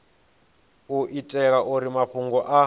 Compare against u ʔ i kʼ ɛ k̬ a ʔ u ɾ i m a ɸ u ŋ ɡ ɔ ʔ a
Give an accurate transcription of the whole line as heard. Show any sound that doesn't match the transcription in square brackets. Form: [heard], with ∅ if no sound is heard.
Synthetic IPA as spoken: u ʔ i [tʼ] ɛ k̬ a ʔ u ɾ i m a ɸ u ŋ ɡ ɔ ʔ a